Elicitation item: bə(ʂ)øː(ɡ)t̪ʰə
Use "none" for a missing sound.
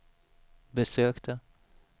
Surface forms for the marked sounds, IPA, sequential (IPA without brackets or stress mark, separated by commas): s, k